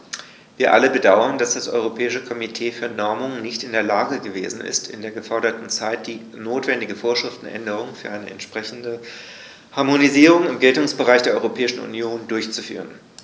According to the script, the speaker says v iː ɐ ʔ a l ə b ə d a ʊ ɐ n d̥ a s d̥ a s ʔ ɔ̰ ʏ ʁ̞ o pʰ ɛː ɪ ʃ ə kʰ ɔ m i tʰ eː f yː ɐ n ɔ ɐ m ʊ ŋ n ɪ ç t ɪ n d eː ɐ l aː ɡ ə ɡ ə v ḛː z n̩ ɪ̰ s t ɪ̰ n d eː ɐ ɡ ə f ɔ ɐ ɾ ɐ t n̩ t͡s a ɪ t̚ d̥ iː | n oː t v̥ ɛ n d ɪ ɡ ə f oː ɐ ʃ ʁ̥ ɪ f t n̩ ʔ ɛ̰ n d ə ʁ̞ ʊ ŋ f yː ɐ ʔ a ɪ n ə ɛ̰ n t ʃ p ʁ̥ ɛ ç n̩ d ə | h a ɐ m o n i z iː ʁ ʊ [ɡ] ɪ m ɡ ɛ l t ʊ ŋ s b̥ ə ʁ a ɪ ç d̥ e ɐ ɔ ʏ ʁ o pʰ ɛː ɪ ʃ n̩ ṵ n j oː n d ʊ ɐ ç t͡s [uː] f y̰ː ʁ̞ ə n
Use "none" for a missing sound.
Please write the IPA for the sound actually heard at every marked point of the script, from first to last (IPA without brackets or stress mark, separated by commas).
ŋ, u